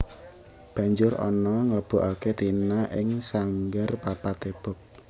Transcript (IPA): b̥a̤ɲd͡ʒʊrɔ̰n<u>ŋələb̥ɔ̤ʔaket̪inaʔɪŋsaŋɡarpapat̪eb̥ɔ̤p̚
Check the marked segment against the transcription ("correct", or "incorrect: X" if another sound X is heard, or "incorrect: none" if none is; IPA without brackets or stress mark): incorrect: ɔ